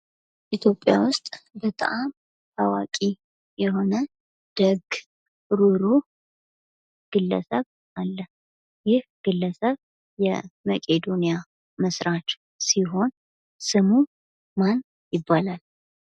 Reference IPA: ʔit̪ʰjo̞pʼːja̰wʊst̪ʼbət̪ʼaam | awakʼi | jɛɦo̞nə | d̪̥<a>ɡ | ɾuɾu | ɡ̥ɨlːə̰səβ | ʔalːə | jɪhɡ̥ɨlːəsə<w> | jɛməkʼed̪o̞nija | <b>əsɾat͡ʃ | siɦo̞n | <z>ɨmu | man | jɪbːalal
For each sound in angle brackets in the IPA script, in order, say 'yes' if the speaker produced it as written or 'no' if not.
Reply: no, no, no, no

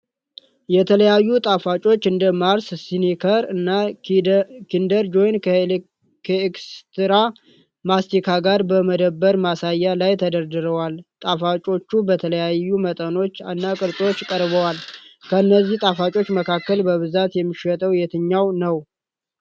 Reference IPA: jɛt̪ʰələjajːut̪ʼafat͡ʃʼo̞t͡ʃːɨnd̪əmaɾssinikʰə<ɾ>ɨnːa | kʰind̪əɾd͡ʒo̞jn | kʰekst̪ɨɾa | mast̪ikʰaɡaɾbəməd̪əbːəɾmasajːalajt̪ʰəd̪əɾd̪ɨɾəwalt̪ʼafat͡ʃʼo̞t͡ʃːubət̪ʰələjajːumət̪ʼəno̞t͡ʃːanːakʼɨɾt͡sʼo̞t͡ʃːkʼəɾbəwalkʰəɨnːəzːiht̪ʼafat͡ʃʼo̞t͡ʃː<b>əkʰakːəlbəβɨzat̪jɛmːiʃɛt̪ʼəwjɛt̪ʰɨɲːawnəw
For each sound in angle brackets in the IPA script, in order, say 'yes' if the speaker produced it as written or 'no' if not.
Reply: yes, no

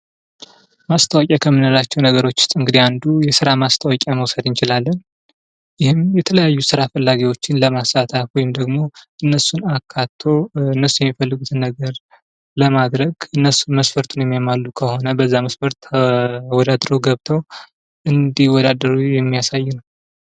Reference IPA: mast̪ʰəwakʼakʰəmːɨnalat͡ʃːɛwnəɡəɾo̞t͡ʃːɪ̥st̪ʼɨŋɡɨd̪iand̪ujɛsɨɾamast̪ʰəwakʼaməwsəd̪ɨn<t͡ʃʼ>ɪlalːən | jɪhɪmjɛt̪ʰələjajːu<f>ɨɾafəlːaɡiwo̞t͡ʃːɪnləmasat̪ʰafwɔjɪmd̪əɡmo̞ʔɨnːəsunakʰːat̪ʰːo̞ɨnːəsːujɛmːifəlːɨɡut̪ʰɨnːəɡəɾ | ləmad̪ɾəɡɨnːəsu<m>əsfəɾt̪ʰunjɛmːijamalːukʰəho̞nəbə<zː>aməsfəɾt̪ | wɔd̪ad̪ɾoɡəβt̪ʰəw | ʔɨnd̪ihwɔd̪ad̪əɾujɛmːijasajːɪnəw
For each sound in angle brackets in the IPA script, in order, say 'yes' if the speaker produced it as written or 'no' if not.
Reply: no, no, yes, yes

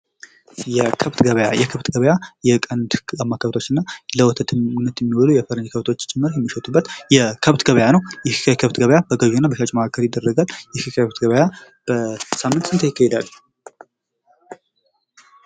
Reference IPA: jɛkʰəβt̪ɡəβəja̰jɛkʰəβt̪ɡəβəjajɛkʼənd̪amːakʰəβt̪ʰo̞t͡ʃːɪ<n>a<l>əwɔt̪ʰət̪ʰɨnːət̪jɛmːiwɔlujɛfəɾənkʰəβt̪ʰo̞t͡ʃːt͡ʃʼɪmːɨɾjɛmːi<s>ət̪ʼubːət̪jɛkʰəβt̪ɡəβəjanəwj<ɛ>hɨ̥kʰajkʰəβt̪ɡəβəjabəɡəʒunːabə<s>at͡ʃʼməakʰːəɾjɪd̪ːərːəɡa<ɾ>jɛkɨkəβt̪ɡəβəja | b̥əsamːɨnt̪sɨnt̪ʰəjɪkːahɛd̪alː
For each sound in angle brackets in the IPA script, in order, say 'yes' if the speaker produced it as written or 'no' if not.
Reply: no, yes, no, yes, no, no

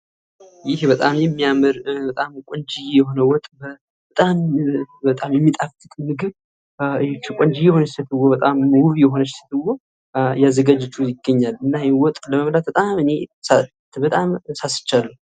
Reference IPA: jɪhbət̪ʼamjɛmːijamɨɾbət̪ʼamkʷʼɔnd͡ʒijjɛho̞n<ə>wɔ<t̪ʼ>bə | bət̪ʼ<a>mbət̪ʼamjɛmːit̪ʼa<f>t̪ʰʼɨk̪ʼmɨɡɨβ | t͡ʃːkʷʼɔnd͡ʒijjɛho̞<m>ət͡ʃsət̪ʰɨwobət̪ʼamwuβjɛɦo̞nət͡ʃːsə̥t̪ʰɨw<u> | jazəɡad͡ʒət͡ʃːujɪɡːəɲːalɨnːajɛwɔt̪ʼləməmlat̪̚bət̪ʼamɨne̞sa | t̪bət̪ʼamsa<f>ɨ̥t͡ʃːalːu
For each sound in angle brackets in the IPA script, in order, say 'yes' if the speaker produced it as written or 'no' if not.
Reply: yes, yes, yes, yes, no, no, no

